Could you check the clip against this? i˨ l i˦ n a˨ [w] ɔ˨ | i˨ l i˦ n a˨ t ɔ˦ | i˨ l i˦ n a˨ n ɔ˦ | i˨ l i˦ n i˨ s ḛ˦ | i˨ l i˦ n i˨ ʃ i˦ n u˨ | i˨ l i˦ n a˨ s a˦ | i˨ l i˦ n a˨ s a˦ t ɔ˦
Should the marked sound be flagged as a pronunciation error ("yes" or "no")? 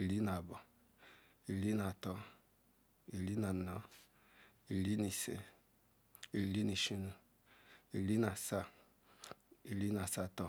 yes